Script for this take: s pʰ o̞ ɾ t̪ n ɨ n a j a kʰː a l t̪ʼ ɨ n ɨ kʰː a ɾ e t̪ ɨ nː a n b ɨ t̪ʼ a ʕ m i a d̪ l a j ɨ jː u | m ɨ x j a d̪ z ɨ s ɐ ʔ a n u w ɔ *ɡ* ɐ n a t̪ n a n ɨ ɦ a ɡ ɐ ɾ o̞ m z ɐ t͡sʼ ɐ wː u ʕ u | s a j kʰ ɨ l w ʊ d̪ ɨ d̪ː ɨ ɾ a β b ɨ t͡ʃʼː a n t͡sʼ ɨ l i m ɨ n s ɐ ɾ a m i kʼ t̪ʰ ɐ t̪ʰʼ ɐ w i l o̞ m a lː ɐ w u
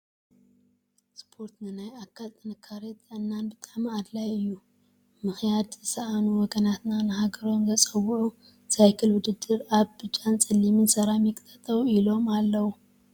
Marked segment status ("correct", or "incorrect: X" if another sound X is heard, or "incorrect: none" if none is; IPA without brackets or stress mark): correct